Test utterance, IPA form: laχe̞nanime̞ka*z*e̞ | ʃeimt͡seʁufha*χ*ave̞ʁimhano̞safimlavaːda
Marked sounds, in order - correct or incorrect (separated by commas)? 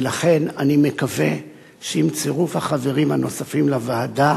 incorrect, correct